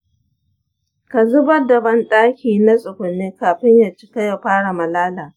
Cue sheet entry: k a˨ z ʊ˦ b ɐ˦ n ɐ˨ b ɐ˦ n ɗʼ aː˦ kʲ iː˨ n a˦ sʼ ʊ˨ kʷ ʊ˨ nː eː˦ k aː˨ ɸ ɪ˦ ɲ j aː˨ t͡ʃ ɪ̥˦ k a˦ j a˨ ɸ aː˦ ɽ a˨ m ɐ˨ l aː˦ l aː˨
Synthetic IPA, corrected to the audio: k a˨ z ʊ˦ b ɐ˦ d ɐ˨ b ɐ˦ n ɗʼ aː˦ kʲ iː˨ n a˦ sʼ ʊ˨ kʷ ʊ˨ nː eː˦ k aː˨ ɸ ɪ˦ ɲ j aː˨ t͡ʃ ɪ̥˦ k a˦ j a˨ ɸ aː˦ ɽ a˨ m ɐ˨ l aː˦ l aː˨